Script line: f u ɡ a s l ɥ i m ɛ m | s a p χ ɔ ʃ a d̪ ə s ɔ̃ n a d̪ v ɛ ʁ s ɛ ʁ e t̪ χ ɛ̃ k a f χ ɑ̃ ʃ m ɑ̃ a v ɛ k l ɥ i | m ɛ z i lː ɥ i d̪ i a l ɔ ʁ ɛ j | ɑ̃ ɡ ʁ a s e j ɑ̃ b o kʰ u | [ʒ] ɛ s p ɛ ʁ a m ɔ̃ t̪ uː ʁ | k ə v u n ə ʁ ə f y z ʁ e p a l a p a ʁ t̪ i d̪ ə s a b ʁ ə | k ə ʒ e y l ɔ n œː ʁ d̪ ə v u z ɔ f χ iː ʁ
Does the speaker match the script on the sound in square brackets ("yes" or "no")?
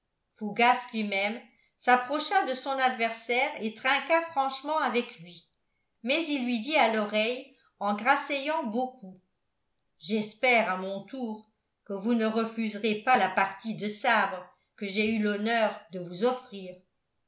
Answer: yes